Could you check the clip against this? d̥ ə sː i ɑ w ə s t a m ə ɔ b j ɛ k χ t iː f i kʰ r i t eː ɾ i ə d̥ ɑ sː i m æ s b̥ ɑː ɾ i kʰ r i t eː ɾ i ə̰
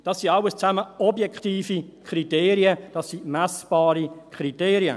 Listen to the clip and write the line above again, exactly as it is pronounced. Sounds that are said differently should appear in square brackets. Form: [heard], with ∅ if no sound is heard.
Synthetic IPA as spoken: d̥ [ɑ] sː i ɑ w ə s [t͡s] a m ə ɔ b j ɛ k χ t iː f i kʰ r i t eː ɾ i ə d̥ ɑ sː i m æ s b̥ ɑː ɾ i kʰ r i t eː ɾ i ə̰